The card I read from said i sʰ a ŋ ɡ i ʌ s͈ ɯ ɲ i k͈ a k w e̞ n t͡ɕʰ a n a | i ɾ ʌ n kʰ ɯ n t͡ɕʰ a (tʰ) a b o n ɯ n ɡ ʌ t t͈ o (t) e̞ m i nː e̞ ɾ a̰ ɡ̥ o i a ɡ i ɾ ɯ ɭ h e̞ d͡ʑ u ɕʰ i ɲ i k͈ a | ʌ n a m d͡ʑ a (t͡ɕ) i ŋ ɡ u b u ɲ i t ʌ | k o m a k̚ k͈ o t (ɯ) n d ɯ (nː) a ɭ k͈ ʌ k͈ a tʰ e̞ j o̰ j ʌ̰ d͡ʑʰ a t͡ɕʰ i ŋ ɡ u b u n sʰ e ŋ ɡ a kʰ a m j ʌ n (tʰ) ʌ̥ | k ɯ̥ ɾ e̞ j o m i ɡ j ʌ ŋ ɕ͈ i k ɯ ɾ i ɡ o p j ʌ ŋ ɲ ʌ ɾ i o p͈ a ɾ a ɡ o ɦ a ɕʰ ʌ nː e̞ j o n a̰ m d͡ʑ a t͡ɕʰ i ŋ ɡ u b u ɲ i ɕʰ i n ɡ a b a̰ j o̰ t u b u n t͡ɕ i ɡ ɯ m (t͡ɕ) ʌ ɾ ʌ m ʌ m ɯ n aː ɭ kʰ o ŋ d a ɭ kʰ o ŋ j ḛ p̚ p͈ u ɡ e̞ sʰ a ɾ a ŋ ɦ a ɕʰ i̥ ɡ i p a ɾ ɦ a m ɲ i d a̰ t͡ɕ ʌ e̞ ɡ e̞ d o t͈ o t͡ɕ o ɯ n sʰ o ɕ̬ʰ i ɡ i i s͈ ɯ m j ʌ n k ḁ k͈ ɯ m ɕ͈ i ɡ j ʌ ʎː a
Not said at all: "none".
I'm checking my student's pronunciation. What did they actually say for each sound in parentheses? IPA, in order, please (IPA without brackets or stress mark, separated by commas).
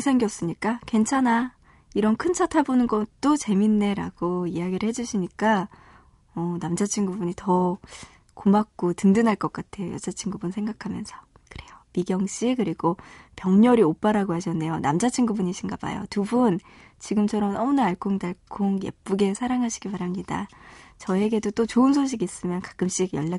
tʰ, t͡ɕ, t͡ɕʰ, ɯ, n, sʰ, t͡ɕʰ